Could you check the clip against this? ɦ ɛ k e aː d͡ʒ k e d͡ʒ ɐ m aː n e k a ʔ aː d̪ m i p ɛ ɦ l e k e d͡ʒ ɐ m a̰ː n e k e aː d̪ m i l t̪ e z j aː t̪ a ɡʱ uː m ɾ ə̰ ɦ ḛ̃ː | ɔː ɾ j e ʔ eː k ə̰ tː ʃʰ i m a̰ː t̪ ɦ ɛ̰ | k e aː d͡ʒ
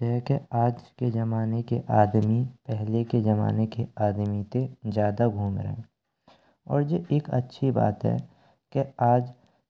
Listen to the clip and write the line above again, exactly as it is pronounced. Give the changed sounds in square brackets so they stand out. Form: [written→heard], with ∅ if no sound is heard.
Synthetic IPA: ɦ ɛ k e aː d͡ʒ k e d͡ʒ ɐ m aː n e k [a→e] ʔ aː d̪ m i p ɛ ɦ l e k e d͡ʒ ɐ m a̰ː n e k e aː d̪ m i [l→∅] t̪ e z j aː [t̪→d̪] a ɡʱ uː m ɾ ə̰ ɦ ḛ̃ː | ɔː ɾ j e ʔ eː k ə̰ tː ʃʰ i [m→b] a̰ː t̪ ɦ ɛ̰ | k e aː d͡ʒ